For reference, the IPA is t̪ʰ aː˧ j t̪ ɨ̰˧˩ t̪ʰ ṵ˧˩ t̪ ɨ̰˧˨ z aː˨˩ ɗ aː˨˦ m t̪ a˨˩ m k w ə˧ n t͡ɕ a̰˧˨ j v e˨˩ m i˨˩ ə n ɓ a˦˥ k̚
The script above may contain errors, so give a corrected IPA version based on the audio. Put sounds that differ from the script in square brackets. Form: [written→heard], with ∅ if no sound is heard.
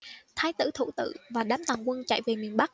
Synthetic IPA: t̪ʰ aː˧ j t̪ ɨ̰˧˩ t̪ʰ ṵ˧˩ t̪ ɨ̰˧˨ [z→v] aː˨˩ ɗ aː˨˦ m t̪ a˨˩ [m→ŋ] k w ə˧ n t͡ɕ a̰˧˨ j v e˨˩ m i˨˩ ə n ɓ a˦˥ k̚